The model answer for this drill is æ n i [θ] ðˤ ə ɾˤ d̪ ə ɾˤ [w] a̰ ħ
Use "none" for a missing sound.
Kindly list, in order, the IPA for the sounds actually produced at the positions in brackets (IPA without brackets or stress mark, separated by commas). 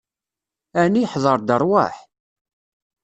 ħ, w